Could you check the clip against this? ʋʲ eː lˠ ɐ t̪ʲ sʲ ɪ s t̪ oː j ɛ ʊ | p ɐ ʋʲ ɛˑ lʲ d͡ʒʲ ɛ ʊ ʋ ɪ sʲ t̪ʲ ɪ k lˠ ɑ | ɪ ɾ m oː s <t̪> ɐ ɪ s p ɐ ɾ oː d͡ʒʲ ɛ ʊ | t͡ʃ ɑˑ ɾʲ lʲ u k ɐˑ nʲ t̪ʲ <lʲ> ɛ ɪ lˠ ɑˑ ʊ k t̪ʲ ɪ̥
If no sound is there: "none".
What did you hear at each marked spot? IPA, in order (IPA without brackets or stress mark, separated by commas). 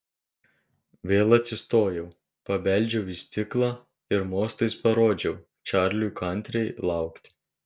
t̪, ɾʲ